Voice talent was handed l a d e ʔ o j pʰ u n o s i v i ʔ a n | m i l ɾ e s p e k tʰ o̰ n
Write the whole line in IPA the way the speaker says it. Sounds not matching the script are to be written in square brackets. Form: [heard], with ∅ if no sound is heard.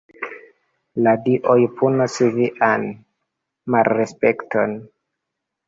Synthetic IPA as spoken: l a d [i] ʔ o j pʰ u n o s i v i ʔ a n | m [a] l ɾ e s p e k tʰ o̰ n